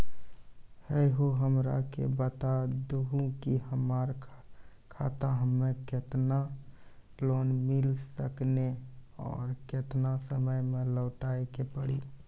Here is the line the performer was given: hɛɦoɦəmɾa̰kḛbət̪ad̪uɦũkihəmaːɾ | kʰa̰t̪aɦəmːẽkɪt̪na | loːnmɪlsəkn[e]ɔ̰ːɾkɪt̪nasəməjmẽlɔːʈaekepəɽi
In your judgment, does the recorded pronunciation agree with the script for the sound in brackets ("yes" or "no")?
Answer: yes